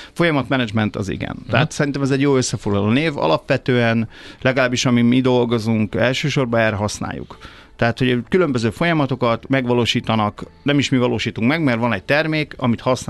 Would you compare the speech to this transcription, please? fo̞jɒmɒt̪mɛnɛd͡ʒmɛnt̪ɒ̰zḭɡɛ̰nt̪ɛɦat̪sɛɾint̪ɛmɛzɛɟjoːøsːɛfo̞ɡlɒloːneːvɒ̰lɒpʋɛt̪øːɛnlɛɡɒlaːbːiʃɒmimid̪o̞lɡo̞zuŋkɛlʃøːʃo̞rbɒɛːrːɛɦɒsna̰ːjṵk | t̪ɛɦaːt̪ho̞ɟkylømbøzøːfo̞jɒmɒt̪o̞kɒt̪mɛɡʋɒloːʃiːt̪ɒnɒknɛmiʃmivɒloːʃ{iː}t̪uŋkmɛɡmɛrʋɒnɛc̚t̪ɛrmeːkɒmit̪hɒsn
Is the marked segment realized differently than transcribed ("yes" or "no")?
no